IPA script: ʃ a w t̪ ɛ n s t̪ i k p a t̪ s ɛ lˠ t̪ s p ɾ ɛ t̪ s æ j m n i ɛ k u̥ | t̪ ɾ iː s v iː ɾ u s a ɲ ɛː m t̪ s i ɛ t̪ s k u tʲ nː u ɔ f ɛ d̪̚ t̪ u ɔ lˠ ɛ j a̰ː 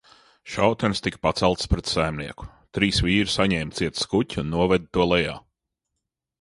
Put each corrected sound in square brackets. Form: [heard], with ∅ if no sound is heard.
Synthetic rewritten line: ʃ a w t̪ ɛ n s t̪ i k p a t̪ s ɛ lˠ t̪ s p ɾ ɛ t̪ s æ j m n i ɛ k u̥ | t̪ ɾ iː s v iː ɾ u s a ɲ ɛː m t̪ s i ɛ t̪ s k u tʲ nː u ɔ [v] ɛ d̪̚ t̪ u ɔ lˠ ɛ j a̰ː